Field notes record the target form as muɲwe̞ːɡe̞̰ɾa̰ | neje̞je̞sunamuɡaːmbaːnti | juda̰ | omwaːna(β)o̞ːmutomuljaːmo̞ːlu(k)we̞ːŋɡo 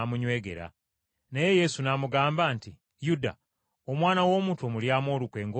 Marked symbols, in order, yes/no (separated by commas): no, yes